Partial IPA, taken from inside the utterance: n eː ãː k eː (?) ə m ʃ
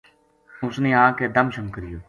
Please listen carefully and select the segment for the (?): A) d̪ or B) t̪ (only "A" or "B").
A